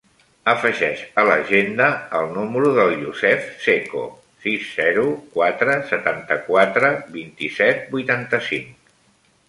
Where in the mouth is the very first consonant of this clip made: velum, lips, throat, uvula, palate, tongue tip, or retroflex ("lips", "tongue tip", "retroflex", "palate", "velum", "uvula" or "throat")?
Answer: lips